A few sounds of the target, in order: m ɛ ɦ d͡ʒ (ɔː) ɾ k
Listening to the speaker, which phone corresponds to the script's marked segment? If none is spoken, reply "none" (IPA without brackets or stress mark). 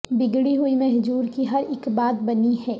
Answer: uː